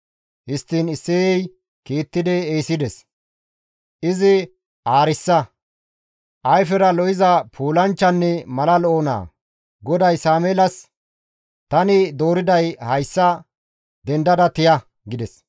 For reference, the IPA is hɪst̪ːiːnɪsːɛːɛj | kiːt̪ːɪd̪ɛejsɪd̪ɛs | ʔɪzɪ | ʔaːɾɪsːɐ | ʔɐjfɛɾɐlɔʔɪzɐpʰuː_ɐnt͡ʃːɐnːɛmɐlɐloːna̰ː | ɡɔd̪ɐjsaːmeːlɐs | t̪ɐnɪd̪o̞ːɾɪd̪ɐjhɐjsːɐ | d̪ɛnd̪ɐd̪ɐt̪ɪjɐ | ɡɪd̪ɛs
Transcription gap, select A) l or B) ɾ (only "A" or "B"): A